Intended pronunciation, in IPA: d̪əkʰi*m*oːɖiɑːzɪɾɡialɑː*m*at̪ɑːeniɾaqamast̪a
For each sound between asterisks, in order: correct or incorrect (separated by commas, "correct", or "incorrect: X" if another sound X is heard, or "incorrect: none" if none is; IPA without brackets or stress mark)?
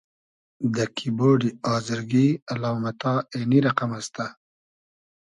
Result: incorrect: b, correct